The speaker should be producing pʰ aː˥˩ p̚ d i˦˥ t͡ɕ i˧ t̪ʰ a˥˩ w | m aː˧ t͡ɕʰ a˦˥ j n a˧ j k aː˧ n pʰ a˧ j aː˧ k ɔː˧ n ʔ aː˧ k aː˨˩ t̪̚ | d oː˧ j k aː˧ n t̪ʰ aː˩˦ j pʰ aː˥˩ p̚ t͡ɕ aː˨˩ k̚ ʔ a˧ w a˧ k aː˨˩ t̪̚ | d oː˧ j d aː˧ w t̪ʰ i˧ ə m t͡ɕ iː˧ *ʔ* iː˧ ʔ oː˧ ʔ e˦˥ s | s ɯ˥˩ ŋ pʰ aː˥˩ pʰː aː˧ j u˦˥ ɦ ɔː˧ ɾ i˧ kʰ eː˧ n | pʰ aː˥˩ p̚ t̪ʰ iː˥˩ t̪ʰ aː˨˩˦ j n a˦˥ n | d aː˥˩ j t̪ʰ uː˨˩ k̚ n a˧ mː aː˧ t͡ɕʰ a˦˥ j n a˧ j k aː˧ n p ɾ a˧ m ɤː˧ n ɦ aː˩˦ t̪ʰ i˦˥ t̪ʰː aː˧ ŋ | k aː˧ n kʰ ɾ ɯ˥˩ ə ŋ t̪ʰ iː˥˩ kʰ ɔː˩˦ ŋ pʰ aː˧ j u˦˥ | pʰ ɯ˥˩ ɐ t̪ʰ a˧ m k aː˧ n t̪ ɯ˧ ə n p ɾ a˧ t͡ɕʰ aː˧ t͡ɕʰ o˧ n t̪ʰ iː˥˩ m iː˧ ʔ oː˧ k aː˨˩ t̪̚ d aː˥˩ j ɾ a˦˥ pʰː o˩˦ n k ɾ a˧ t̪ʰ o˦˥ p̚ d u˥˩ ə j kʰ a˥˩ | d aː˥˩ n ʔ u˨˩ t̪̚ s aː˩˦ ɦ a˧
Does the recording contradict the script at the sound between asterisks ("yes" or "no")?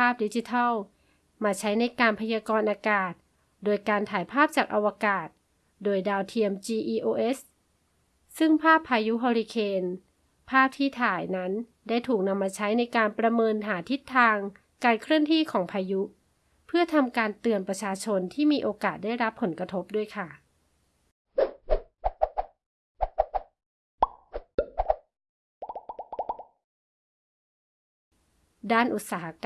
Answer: no